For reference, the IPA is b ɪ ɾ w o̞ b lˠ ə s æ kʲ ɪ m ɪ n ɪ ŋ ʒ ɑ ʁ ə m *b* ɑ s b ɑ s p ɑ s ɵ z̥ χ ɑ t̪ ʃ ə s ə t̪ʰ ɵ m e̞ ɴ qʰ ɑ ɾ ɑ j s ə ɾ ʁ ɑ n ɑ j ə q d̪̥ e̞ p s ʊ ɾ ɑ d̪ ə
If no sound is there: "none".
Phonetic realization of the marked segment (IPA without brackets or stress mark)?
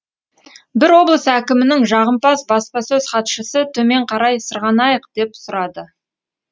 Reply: p